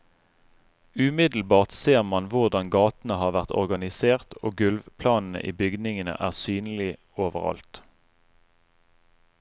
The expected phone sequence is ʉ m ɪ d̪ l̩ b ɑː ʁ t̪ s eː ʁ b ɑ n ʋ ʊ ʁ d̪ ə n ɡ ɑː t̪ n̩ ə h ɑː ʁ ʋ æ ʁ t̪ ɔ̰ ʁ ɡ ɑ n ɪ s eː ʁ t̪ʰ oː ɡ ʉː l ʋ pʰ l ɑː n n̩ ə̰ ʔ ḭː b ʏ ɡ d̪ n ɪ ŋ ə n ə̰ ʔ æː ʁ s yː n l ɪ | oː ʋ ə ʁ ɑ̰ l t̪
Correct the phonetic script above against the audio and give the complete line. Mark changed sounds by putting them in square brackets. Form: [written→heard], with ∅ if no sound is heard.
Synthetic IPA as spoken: ʉ m ɪ d̪ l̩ b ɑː ʁ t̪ s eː ʁ [b→m] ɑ n ʋ ʊ ʁ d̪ [ə→ɑ] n ɡ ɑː t̪ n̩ ə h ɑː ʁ ʋ æ ʁ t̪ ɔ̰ ʁ ɡ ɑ n ɪ s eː ʁ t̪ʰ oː ɡ [ʉː→ʉ] l ʋ pʰ l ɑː n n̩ ə̰ ʔ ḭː b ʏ ɡ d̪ n ɪ ŋ ə n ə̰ ʔ æː ʁ s yː n l ɪ | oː ʋ ə ʁ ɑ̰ l t̪

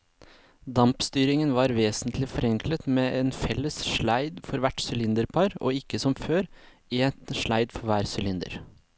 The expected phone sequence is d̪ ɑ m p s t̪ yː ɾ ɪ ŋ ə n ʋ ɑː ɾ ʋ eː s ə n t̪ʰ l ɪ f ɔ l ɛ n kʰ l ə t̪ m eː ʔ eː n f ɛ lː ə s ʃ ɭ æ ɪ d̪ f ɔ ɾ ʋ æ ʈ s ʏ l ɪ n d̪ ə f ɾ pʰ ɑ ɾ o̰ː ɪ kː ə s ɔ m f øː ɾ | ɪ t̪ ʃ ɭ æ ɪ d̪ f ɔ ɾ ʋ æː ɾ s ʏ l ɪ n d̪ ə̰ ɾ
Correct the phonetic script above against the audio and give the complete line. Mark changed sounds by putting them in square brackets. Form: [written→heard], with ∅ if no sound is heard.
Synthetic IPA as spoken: d̪ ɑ m p s t̪ yː ɾ ɪ ŋ ə n ʋ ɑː ɾ ʋ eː s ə n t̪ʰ l ɪ f ɔ [l→ɾ] ɛ [n→ŋ] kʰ l ə t̪ m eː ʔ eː n f ɛ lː ə s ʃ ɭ æ ɪ d̪ f ɔ ɾ ʋ æ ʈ s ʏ l ɪ n d̪ ə [f→∅] ɾ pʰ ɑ ɾ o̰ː ɪ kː ə s ɔ m f øː ɾ | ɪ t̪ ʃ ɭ æ ɪ d̪ f ɔ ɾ ʋ æː ɾ s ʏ l ɪ n d̪ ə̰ ɾ

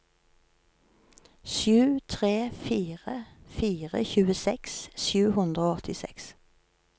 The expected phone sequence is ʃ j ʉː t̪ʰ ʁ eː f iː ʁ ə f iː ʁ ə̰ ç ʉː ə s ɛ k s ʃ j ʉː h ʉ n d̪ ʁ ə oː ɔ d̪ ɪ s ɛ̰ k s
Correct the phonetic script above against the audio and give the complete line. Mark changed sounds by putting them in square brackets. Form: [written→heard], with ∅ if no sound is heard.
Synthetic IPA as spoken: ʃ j ʉː t̪ʰ ʁ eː f iː ʁ ə f iː ʁ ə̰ ç ʉː ə s ɛ k s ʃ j ʉː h ʉ n d̪ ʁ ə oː ɔ [d̪→t̪] ɪ s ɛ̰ k s

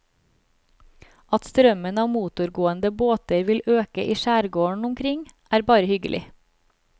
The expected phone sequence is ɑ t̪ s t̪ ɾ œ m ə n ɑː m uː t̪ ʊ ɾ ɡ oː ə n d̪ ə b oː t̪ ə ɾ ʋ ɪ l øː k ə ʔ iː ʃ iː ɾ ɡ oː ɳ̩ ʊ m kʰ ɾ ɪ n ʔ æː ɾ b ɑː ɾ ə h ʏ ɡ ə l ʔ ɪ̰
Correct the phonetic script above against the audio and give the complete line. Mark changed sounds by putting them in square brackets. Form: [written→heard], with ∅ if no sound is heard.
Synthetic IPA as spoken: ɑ t̪ s t̪ ɾ œ m ə n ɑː m uː t̪ ʊ ɾ ɡ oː ə n d̪ ə b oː t̪ ə ɾ ʋ ɪ l øː k ə ʔ iː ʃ [iː→æː] ɾ ɡ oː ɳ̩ ʊ m kʰ ɾ ɪ [n→ŋ] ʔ æː ɾ b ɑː ɾ ə h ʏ ɡ ə l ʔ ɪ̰

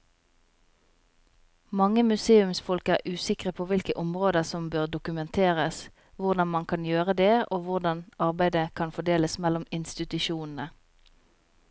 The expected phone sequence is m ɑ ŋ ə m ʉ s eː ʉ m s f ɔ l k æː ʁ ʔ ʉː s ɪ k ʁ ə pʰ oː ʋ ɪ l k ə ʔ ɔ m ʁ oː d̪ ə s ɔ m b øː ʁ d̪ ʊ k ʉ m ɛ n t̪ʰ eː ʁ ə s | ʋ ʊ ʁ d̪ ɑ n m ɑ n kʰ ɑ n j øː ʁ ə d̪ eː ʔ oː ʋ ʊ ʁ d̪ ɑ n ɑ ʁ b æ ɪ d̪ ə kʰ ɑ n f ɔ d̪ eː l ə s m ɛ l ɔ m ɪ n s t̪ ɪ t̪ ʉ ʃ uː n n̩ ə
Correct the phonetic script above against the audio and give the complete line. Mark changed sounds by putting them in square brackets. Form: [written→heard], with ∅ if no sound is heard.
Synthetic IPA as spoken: m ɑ ŋ ə m ʉ s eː ʉ m s f ɔ l k æː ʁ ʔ ʉː s ɪ k ʁ ə pʰ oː ʋ ɪ l k ə ʔ ɔ m ʁ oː d̪ ə s ɔ m b øː ʁ d̪ ʊ k ʉ m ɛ n t̪ʰ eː ʁ ə s | ʋ ʊ ʁ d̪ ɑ n m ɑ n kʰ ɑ n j øː ʁ ə d̪ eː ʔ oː ʋ ʊ ʁ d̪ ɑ n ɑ ʁ b æ ɪ d̪ ə kʰ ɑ n f ɔ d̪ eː l ə s m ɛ l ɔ m ɪ n s t̪ ɪ t̪ ʉ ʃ uː n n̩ ə

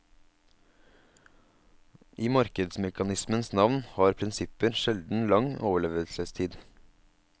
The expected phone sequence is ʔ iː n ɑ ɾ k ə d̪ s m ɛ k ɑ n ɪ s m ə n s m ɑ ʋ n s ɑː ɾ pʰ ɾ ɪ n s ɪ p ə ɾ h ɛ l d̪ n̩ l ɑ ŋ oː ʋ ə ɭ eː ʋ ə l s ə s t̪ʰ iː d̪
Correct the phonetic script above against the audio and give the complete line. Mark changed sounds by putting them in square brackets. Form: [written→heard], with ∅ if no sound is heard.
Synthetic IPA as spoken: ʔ iː [n→m] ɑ ɾ k ə d̪ s m ɛ k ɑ n ɪ s m ə n s [m→n] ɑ ʋ n [s→h] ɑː ɾ pʰ ɾ ɪ n s ɪ p ə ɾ [h→ʃ] ɛ l d̪ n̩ l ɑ ŋ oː ʋ ə ɭ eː ʋ ə l s ə s t̪ʰ iː d̪

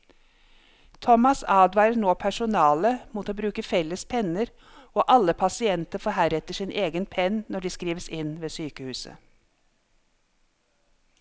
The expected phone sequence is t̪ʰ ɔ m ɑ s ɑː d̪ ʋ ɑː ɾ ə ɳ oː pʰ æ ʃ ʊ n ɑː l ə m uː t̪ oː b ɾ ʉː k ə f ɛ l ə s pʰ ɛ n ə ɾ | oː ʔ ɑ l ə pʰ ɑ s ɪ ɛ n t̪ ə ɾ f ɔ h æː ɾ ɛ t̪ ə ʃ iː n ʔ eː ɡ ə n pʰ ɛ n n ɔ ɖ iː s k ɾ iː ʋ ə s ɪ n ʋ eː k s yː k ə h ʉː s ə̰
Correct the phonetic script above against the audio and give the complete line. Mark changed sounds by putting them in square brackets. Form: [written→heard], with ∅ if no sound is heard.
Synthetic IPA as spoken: t̪ʰ ɔ m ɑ s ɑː d̪ ʋ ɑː ɾ ə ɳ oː pʰ æ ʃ ʊ n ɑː l ə m uː t̪ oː b ɾ ʉː k ə f ɛ l ə s pʰ ɛ n ə ɾ | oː ʔ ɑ l ə pʰ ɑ s ɪ ɛ n t̪ ə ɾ f ɔ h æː ɾ ɛ t̪ ə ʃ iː n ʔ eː ɡ ə n pʰ ɛ n n ɔ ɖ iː s k ɾ iː ʋ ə s ɪ n ʋ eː [k→∅] s yː k ə h ʉː s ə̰

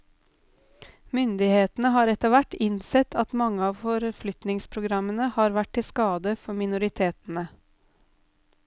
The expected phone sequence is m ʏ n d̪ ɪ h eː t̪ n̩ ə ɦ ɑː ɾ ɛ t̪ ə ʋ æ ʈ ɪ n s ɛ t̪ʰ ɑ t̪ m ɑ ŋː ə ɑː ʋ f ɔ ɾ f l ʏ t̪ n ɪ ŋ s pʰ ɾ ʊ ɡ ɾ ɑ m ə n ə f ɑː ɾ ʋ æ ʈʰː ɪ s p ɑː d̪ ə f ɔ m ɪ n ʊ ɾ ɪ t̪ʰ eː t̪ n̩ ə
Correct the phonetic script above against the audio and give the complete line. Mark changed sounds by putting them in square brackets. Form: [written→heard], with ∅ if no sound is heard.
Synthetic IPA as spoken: m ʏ n d̪ ɪ h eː t̪ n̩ ə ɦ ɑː ɾ ɛ t̪ ə ʋ æ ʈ ɪ n s ɛ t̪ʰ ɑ t̪ m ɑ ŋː ə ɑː ʋ f ɔ ɾ f l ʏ t̪ n ɪ ŋ s pʰ ɾ ʊ ɡ ɾ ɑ m ə n ə [f→h] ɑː ɾ ʋ æ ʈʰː ɪ s [p→k] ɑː d̪ ə f ɔ m ɪ n ʊ ɾ ɪ t̪ʰ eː t̪ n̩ ə

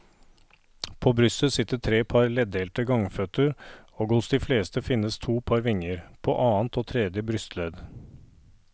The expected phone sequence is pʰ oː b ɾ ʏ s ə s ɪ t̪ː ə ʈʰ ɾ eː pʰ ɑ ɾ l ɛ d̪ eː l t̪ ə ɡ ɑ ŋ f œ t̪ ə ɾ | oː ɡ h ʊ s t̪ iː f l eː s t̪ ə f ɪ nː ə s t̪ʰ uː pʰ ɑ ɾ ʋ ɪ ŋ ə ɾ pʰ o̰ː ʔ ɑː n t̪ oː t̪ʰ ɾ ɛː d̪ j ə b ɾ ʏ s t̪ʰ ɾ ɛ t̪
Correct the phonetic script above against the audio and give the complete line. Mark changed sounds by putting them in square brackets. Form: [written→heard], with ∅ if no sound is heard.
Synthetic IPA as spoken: pʰ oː b ɾ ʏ s ə s ɪ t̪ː ə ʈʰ ɾ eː pʰ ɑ ɾ l ɛ d̪ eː l t̪ ə ɡ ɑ ŋ f œ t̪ ə ɾ | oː ɡ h ʊ s [t̪→d̪] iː f l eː s t̪ ə f ɪ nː ə s t̪ʰ uː pʰ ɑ ɾ ʋ ɪ ŋ ə ɾ pʰ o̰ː ʔ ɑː n t̪ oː t̪ʰ ɾ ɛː d̪ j ə b ɾ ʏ s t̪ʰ [ɾ→l] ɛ [t̪→d̪]

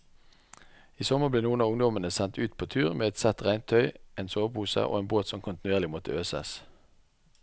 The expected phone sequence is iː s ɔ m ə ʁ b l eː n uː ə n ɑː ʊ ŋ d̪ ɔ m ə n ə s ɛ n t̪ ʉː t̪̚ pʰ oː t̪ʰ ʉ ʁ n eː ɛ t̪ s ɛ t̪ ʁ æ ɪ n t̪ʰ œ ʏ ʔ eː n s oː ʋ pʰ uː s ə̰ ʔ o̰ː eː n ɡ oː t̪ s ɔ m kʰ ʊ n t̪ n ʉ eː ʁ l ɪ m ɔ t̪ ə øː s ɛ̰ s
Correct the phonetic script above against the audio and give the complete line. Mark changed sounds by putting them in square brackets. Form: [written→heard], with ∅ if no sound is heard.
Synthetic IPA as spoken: iː s ɔ m ə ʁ b l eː n uː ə n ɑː ʊ ŋ d̪ ɔ m ə n ə s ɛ n t̪ ʉː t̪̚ pʰ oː t̪ʰ [ʉ→ʉː] ʁ [n→m] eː ɛ t̪ s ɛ t̪ ʁ æ ɪ n t̪ʰ œ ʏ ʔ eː n s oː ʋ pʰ uː s ə̰ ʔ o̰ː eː n [ɡ→b] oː t̪ s ɔ m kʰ ʊ n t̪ n ʉ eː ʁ l ɪ m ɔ t̪ ə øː s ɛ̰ s

